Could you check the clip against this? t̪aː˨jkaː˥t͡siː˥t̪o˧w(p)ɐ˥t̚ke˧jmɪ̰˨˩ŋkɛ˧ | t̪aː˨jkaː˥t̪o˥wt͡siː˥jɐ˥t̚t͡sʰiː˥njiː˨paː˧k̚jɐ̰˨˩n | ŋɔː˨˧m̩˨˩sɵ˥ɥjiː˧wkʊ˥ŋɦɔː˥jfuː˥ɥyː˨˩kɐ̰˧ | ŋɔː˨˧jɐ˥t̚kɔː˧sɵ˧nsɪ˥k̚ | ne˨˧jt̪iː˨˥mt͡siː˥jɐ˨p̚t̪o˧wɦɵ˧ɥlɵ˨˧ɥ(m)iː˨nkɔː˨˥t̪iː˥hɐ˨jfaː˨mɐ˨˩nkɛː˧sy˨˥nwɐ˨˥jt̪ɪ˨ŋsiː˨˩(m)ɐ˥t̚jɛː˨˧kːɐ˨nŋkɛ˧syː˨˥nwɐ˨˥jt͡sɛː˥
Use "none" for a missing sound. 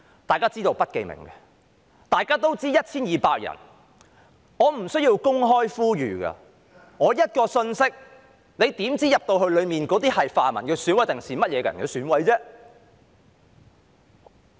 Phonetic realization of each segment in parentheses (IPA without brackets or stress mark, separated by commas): p, m, m